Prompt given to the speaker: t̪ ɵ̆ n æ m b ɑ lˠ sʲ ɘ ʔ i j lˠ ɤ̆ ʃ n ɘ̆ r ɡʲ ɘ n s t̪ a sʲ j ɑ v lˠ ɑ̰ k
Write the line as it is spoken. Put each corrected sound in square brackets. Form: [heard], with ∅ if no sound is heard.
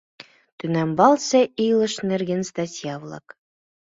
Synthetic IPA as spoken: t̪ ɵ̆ n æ m b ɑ lˠ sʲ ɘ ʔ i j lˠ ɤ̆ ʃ n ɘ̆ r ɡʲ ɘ n s t̪ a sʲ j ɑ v lˠ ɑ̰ k